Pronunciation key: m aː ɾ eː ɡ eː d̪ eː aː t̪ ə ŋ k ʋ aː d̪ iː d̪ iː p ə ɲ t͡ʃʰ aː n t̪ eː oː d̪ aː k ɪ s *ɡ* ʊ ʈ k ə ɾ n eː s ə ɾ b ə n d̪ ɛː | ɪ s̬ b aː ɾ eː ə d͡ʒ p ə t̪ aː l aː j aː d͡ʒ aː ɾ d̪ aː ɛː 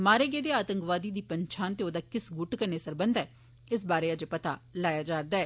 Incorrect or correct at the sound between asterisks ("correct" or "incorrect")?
correct